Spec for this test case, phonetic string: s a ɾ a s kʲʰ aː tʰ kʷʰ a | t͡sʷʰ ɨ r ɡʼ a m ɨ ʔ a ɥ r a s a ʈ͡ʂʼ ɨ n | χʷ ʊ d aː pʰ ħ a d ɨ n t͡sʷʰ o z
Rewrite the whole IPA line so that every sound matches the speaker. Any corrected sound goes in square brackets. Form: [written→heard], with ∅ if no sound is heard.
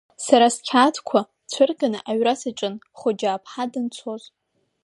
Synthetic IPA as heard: s a ɾ a s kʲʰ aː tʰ kʷʰ a | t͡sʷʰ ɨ r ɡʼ a [m→n] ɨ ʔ a ɥ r a s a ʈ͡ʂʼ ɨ n | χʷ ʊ [d→d͡ʒ] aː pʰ ħ a d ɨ n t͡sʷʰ o z